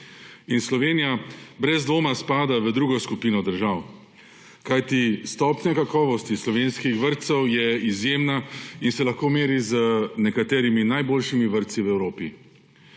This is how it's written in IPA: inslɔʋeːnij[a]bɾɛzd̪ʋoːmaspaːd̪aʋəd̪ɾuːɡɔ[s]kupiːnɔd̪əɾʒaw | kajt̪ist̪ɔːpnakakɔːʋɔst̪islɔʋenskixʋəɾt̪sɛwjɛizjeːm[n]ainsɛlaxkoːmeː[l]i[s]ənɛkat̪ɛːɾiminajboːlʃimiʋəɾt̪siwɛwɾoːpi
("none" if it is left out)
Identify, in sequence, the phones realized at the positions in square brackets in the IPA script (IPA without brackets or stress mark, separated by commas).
a, s, n, ɾ, z